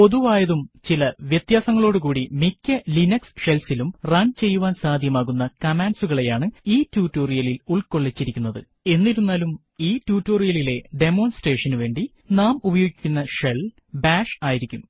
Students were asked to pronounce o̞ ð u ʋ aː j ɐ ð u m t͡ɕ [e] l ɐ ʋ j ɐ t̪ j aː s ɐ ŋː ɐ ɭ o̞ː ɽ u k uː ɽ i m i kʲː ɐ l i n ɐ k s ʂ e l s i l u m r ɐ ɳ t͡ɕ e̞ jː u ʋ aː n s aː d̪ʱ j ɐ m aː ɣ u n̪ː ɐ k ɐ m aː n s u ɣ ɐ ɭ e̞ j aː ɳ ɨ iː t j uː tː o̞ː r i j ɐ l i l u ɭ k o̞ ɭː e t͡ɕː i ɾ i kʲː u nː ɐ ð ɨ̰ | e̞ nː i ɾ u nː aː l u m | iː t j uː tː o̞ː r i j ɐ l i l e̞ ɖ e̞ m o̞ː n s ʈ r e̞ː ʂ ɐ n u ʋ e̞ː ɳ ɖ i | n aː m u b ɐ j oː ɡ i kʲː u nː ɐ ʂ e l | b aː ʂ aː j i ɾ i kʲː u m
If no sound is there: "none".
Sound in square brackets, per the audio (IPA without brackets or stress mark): i